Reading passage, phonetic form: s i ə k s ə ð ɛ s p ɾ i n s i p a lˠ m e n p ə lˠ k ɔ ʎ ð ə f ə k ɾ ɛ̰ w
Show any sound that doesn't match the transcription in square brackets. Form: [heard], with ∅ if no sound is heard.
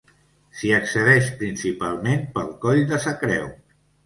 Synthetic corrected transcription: s i ə k s ə ð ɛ [ʃ] p ɾ i n s i p a lˠ m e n p ə lˠ k ɔ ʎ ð ə [s] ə k ɾ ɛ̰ w